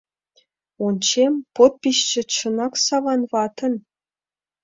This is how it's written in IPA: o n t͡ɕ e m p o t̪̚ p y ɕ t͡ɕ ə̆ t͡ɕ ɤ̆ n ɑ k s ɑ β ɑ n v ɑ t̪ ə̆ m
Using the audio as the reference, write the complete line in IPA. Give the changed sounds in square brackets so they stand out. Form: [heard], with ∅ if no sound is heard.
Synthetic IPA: o n t͡ɕ e m p o t̪̚ p [i] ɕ t͡ɕ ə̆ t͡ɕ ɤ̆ n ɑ k s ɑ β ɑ n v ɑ t̪ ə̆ [n]